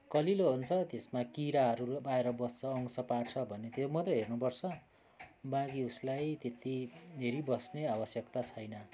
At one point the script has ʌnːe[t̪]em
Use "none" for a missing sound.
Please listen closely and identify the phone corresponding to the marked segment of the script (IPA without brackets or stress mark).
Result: t̪